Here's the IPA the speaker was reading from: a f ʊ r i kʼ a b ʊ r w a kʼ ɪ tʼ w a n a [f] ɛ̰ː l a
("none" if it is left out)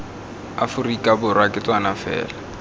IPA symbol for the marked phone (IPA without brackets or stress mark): f